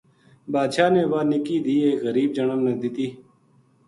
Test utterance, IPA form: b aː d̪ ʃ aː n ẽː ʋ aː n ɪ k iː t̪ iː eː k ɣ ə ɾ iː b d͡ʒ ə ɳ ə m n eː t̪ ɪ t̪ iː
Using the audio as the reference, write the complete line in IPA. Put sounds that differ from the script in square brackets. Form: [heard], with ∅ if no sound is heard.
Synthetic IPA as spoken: b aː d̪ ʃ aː n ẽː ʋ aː n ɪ k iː [d̪] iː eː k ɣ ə ɾ iː b d͡ʒ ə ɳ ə m n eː [d̪] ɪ t̪ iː

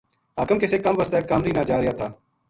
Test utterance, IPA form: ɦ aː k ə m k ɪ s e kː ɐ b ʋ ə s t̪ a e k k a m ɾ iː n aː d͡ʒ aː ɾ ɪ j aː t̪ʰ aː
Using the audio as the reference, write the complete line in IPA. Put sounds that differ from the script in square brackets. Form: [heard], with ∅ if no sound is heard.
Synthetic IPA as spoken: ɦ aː k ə m k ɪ s e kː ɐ [m] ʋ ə s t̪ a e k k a m ɾ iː n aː d͡ʒ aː ɾ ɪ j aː t̪ʰ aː

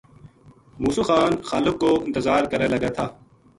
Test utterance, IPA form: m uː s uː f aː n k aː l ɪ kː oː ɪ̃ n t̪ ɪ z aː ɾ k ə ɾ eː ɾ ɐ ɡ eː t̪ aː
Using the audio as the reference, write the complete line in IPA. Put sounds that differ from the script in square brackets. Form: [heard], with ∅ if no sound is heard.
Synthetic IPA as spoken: m uː s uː [x] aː n [x] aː l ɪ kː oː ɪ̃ n t̪ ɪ z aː ɾ k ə ɾ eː [l] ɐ ɡ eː [t̪ʰ] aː

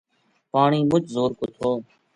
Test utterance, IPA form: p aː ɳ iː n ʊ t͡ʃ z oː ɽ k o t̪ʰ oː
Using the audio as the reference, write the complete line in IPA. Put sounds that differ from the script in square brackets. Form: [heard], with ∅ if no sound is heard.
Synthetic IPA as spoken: p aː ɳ iː [m] ʊ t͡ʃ z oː [ɾ] k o t̪ʰ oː

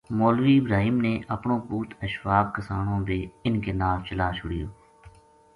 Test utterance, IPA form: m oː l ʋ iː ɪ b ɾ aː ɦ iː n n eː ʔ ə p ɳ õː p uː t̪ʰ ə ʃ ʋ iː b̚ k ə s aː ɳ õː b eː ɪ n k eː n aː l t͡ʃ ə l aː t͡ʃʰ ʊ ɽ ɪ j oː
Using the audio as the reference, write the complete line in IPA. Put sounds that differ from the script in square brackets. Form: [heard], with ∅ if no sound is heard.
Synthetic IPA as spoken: m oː l ʋ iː ɪ b ɾ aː ɦ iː [m] n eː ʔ ə p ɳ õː p uː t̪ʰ ə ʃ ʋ [aː] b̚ k ə s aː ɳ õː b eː ɪ n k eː n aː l t͡ʃ ə l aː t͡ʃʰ ʊ ɽ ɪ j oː

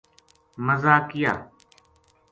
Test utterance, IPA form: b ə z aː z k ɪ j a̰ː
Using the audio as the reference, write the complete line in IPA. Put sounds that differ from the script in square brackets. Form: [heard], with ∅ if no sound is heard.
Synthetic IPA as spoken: [m] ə z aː [∅] k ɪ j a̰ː

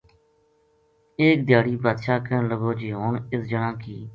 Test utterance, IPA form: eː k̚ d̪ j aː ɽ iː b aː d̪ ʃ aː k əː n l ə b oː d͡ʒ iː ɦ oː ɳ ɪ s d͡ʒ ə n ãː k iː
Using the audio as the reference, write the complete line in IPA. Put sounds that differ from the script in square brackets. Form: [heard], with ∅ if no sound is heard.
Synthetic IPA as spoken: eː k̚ d̪ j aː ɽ iː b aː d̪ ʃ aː k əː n l ə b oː d͡ʒ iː ɦ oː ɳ ɪ s d͡ʒ ə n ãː k iː

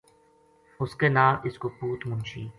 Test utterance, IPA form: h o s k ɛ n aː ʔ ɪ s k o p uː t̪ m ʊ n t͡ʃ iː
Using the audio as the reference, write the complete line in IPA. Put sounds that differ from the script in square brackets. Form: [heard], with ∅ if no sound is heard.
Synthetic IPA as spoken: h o s k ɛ n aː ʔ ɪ s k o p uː t̪ m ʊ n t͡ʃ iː

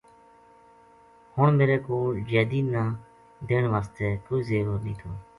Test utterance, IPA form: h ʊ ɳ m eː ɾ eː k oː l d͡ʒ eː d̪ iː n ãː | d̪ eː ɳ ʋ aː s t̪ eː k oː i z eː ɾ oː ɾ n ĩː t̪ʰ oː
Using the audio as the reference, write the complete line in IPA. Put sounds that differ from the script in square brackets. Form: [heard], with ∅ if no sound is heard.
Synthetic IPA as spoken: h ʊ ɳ m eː ɾ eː k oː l d͡ʒ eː d̪ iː n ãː | d̪ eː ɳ ʋ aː s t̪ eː k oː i z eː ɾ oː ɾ n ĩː t̪ʰ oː

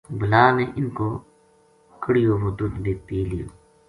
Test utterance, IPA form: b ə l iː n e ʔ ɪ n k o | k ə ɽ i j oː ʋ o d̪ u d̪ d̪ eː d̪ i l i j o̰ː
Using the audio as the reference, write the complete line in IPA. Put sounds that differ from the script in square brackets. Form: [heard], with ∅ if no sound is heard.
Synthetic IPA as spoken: b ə l [aː] n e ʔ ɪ n k o | k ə ɽ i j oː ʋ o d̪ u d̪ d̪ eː [t̪] i l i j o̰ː

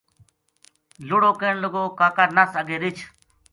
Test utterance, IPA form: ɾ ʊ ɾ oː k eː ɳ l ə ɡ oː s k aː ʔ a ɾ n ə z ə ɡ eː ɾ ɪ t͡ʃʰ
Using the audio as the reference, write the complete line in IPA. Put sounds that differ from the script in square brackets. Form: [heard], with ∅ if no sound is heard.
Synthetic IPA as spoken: [l] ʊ [ɽ] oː k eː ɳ l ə ɡ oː [∅] k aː [k] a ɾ n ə [s] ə ɡ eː ɾ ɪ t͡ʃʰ

